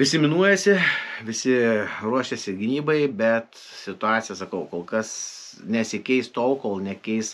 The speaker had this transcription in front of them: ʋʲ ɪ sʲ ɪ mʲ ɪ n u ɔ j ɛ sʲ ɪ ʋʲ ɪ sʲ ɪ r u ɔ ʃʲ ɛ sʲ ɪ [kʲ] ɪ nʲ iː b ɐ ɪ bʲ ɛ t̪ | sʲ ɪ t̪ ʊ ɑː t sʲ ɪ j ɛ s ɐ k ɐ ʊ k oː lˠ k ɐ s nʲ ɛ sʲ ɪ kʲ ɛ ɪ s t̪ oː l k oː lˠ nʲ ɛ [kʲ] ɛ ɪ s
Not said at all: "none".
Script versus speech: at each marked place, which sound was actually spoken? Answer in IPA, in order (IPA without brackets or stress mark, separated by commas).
ɡʲ, kʲ